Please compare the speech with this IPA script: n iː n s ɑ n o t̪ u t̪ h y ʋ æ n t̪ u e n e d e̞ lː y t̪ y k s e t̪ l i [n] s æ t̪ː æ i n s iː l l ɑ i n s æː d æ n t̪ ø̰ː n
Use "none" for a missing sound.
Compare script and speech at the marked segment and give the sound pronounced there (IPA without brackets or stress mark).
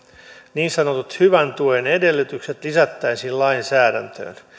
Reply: none